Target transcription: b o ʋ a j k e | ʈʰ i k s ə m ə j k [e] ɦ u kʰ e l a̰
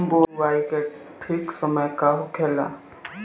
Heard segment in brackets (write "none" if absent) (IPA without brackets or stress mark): a